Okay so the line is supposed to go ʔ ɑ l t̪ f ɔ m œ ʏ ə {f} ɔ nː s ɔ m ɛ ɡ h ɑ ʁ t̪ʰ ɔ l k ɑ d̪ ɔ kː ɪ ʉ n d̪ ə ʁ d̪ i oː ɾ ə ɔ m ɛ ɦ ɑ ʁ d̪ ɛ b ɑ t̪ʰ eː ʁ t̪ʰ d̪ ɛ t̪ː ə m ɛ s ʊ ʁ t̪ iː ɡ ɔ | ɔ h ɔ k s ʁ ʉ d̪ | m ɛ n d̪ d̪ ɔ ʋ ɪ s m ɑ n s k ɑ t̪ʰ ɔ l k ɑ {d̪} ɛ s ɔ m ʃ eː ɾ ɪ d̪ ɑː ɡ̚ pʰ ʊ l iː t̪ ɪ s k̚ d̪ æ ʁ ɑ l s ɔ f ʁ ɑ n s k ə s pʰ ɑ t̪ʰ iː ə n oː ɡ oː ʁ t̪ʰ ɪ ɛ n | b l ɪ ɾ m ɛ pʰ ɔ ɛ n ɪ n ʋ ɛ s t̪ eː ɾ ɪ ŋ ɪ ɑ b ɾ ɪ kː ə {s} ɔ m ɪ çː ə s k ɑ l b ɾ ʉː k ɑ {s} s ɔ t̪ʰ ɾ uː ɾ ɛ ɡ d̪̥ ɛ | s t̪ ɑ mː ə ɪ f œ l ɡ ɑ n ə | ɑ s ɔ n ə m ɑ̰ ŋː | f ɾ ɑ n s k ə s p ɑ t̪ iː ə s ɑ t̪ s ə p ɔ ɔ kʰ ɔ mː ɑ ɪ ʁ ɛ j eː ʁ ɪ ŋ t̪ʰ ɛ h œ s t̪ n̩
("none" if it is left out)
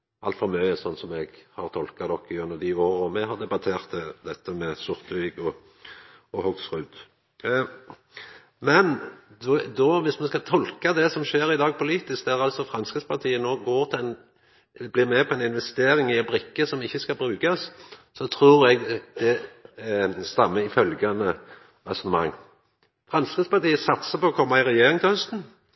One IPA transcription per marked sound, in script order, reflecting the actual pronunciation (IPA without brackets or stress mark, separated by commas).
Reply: s, d̪, s, s